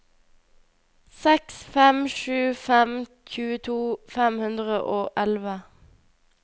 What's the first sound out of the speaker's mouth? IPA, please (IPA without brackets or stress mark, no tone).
s